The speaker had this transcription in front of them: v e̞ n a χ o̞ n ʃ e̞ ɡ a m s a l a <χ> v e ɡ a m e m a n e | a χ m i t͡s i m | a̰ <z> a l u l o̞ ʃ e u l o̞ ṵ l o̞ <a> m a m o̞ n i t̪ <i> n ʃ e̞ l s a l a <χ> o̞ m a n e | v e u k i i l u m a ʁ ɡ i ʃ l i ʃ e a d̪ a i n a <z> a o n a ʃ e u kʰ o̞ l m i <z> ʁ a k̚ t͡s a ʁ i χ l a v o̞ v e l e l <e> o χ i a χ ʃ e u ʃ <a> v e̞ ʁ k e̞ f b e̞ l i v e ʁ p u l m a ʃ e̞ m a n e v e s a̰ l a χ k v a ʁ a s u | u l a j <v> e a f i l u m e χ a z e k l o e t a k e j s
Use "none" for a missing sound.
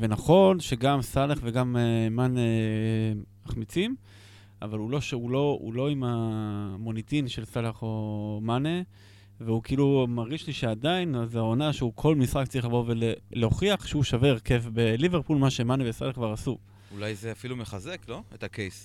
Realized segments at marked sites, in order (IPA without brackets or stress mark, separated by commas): χ, v, i, i, χ, z, s, e, a, z